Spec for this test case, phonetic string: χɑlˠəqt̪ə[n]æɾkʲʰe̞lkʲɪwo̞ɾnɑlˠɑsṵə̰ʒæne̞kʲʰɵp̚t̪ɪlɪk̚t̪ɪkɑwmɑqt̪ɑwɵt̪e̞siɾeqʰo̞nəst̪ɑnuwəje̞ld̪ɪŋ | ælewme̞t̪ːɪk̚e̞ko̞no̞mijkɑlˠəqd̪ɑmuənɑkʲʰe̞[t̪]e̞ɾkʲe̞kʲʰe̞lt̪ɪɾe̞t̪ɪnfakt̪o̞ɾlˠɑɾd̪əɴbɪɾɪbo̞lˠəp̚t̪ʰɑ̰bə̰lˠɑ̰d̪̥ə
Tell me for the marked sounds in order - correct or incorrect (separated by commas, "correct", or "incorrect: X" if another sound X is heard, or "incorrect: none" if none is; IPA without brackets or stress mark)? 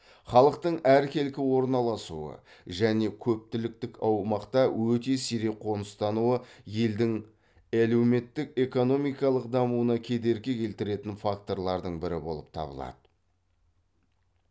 incorrect: ɴ, incorrect: d̪